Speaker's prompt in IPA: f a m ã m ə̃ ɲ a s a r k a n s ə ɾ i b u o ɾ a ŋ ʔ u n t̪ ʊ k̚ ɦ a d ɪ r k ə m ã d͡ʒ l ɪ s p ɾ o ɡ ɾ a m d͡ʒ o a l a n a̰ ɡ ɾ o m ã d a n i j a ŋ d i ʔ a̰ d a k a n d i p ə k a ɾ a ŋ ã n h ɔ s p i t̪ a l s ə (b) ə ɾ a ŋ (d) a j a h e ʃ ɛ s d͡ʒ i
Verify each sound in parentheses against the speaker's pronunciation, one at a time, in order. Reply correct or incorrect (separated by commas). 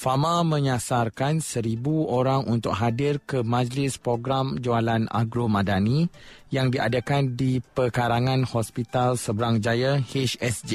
correct, incorrect